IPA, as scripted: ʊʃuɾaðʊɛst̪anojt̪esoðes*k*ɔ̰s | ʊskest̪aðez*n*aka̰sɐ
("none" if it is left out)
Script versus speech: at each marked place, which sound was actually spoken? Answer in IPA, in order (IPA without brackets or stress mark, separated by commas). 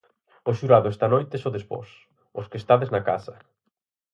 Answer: p, n